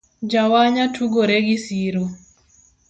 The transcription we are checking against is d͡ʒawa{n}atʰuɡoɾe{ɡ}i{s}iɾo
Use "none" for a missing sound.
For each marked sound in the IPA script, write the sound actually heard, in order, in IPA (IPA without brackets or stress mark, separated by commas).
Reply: ɲ, ɡ, s